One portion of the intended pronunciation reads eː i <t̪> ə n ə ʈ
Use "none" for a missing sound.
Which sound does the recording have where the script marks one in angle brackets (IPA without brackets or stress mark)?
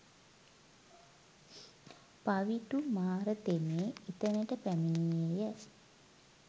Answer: t̪